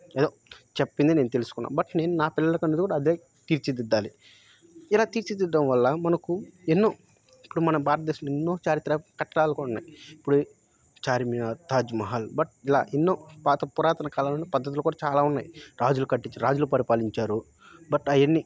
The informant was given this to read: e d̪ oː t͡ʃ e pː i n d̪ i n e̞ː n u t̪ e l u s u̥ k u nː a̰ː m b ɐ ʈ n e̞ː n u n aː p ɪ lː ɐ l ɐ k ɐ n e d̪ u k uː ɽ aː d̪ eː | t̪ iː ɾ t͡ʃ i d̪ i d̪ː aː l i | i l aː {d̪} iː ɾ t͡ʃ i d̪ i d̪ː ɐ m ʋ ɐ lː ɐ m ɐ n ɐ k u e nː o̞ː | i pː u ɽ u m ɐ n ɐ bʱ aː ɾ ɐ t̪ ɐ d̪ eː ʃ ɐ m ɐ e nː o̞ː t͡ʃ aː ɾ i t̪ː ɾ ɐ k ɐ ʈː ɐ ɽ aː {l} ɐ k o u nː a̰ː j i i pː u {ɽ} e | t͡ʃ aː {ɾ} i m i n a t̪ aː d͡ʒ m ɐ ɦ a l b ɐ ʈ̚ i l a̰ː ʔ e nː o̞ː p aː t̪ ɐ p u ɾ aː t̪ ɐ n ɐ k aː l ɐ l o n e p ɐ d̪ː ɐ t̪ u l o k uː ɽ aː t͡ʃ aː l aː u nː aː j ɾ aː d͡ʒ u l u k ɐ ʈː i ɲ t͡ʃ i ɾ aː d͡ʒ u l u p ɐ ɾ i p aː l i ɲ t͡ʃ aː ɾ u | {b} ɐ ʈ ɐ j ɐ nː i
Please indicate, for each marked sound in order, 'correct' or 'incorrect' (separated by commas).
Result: incorrect, correct, correct, correct, correct